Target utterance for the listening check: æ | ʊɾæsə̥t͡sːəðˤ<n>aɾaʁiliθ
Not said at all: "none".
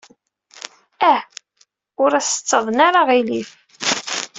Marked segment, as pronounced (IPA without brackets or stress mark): n